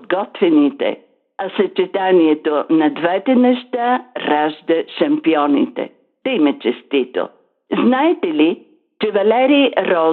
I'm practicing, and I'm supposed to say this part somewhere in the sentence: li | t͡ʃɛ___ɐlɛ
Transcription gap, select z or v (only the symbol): v